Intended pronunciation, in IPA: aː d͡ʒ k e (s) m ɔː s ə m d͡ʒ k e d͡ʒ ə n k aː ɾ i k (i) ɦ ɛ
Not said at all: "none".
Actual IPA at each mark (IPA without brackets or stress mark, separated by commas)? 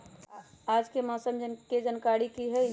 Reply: none, i